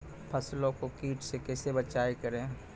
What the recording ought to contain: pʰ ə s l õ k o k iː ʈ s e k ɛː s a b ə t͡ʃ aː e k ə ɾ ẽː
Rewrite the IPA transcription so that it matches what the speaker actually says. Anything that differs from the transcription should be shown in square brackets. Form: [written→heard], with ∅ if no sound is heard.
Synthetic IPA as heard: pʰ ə s l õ k o k iː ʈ s e k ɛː s [a→e] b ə t͡ʃ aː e k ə ɾ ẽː